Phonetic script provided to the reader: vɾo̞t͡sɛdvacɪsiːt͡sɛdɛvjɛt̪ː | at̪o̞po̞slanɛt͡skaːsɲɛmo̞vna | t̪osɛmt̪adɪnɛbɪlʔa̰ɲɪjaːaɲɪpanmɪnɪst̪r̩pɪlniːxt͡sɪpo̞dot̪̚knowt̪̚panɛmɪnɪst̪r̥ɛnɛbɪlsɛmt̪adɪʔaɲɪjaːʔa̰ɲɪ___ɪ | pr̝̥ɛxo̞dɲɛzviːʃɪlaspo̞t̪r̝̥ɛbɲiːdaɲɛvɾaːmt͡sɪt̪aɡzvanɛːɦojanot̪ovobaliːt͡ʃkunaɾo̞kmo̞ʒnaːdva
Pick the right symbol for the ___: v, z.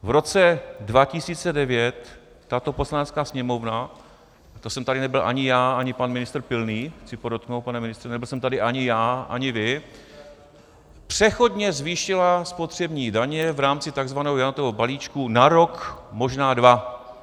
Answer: v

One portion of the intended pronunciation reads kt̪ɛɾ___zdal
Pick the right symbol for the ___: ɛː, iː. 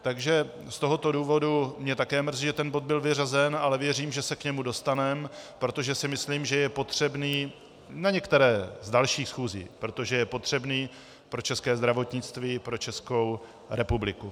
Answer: ɛː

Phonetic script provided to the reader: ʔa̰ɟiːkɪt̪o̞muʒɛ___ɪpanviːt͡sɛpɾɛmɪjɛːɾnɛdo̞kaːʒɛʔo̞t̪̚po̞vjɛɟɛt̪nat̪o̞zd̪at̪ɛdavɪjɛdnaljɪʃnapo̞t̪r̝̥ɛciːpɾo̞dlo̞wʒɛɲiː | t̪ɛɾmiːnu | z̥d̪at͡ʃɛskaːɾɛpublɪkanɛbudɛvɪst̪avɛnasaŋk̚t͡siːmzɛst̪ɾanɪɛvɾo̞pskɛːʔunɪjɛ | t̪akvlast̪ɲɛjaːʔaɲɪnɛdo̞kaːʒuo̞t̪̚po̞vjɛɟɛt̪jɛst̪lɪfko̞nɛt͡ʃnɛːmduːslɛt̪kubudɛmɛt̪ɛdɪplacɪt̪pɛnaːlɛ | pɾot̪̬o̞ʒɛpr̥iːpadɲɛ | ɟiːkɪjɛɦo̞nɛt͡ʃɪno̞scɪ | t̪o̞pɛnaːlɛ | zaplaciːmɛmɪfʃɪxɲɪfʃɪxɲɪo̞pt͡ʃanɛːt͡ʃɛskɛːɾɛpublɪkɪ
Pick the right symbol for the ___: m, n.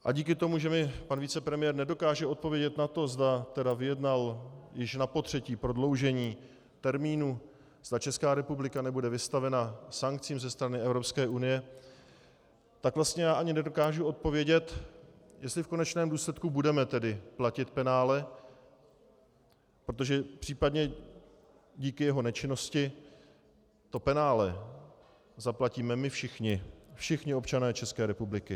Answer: m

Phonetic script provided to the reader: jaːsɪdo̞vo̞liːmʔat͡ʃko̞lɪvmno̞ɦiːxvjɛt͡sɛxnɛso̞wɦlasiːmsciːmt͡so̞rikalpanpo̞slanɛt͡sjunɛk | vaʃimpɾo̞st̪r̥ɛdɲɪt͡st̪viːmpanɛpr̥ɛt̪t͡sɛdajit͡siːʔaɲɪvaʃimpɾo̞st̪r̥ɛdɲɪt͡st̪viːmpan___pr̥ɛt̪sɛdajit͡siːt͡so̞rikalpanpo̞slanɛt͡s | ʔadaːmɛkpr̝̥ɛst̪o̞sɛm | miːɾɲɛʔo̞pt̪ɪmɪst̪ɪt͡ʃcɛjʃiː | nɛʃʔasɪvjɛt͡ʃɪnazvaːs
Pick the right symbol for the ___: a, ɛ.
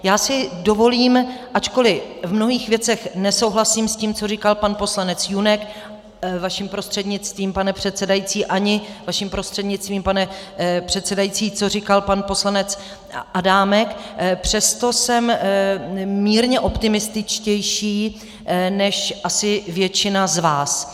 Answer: ɛ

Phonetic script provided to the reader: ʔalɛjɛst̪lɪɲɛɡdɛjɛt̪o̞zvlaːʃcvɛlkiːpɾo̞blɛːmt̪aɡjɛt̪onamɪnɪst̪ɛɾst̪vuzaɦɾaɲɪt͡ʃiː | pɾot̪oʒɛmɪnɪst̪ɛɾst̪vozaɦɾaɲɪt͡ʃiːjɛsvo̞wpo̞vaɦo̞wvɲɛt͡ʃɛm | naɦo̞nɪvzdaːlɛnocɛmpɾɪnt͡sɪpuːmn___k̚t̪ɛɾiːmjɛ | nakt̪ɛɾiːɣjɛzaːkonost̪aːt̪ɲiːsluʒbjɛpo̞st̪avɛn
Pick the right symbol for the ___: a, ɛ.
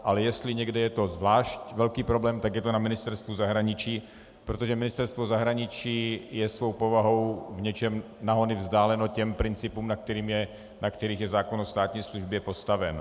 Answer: a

